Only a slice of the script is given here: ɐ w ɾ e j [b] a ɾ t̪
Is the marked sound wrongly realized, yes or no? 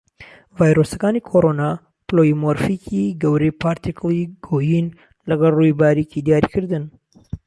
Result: yes